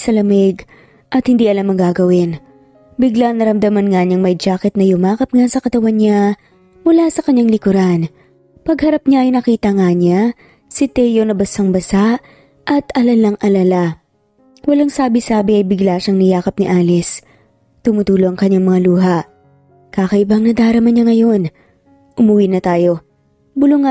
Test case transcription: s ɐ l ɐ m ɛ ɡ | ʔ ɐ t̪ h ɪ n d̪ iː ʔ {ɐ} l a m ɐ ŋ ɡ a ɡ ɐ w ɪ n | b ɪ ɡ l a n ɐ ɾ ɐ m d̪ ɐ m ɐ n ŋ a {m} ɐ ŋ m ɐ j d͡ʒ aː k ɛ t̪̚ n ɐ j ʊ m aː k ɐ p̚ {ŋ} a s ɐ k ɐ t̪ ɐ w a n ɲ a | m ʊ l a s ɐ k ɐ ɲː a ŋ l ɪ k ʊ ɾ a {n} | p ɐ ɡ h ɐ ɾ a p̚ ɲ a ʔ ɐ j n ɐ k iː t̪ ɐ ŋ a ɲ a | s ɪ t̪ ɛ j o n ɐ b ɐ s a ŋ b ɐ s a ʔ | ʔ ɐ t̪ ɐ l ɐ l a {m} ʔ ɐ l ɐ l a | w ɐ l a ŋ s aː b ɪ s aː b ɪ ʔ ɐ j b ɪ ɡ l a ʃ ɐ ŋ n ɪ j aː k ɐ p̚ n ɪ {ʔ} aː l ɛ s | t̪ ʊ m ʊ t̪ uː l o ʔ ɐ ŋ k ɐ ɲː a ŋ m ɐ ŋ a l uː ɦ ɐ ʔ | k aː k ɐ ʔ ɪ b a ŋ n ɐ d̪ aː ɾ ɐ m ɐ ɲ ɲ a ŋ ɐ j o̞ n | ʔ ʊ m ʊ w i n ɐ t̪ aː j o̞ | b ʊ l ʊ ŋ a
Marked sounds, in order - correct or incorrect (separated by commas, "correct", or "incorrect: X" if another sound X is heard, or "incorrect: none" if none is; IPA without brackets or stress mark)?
correct, incorrect: ɲ, correct, correct, incorrect: ŋ, correct